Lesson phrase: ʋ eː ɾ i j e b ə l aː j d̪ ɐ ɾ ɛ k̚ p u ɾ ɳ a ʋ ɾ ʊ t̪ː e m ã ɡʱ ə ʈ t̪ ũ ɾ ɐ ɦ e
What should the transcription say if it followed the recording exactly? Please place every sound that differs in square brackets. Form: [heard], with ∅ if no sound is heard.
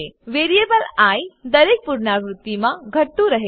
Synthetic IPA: ʋ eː ɾ i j e b ə l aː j d̪ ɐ ɾ [e] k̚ p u ɾ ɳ a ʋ ɾ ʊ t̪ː [i] m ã ɡʱ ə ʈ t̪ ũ ɾ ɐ ɦ e